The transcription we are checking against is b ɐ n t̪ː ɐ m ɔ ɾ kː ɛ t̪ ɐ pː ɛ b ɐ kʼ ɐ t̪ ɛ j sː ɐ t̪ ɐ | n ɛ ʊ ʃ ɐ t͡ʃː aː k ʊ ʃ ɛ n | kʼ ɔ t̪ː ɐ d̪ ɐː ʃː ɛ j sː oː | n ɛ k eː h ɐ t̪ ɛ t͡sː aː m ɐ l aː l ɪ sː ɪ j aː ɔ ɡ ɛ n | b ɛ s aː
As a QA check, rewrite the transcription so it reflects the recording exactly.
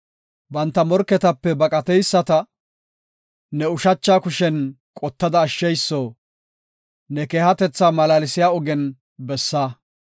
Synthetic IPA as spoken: b ɐ n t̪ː ɐ m ɔ ɾ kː ɛ t̪ ɐ pː ɛ b ɐ kʼ ɐ t̪ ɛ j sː ɐ t̪ ɐ | n ɛ ʊ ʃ ɐ t͡ʃː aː k ʊ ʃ ɛ n | kʼ ɔ t̪ː ɐ d̪ ɐː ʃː ɛ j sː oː | n ɛ k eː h ɐ t̪ ɛ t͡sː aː m ɐ l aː l ɪ s ɪ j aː ɔ ɡ ɛ n | b ɛ sː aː